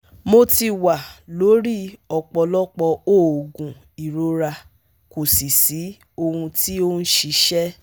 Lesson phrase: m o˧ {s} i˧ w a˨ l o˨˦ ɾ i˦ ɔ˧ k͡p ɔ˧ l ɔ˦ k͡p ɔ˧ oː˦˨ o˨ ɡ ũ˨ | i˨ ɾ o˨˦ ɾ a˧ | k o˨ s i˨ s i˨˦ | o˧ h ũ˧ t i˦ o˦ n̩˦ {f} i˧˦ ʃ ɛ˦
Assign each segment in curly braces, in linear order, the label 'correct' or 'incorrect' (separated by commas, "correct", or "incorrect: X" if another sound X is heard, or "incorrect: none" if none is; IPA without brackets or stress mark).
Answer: incorrect: t, incorrect: ʃ